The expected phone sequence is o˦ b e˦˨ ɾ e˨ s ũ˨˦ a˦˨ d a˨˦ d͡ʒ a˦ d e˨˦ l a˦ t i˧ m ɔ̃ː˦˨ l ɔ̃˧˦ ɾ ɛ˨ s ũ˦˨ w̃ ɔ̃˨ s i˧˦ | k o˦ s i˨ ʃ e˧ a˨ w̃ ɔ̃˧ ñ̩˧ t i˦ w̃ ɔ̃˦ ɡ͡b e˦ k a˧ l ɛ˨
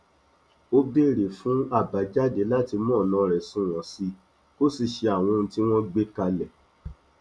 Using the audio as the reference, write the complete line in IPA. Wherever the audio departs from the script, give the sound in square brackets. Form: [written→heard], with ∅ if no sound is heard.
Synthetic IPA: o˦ b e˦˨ ɾ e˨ [s→f] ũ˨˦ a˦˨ [d→b] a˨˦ d͡ʒ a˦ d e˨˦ l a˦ t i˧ m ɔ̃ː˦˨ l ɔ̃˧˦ ɾ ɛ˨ s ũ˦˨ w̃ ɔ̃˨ s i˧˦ | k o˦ s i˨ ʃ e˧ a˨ w̃ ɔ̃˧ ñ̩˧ t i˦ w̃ ɔ̃˦ ɡ͡b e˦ k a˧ l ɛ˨